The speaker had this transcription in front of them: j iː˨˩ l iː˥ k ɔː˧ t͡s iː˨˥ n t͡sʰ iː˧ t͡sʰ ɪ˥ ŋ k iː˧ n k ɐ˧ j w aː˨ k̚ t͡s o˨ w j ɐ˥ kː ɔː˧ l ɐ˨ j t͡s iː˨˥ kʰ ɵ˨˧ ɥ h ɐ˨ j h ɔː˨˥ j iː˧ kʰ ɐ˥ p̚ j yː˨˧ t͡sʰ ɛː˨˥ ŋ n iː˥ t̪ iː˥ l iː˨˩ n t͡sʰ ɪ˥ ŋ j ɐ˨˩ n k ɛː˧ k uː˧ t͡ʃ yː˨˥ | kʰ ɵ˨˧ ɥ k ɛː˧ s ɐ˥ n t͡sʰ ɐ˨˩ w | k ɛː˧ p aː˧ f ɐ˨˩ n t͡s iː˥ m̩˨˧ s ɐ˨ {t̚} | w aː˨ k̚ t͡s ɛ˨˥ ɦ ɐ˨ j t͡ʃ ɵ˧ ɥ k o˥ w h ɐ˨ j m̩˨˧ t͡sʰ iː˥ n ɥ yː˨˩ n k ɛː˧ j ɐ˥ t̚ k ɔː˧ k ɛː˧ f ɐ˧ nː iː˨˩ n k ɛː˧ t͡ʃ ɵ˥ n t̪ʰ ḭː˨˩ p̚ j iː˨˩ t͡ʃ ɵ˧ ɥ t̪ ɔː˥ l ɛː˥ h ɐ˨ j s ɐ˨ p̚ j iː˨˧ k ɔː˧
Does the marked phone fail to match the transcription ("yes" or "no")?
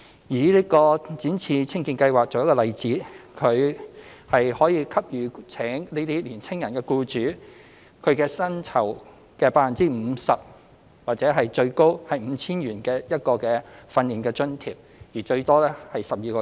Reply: yes